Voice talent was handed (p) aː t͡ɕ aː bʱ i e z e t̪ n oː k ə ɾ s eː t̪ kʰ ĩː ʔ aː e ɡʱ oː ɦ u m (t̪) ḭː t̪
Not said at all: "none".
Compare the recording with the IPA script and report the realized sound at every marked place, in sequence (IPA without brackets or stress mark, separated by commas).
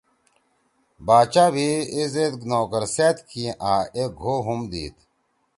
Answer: b, d̪